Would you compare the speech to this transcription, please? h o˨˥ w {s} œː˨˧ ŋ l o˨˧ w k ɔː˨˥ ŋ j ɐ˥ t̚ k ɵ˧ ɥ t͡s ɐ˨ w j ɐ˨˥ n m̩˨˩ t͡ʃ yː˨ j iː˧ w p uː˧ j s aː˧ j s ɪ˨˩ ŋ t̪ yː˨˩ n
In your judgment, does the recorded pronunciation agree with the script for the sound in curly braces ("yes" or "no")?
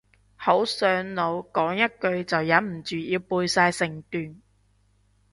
yes